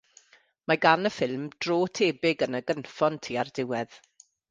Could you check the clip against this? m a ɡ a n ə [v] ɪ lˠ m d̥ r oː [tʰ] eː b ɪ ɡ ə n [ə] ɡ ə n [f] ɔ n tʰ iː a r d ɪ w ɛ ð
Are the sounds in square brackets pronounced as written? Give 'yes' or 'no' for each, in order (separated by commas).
no, yes, yes, yes